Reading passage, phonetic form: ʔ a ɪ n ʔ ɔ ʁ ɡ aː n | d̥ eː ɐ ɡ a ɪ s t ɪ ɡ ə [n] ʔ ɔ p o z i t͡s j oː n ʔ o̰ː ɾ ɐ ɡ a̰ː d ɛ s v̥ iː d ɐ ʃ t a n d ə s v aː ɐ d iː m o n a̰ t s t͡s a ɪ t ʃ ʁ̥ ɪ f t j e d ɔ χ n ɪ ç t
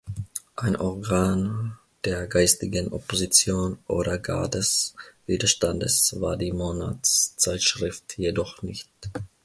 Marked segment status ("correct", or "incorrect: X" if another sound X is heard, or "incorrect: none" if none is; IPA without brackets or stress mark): correct